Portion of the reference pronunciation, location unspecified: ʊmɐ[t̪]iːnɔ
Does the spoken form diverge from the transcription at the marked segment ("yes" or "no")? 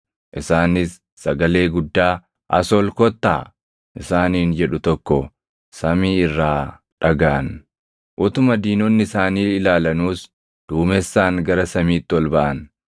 yes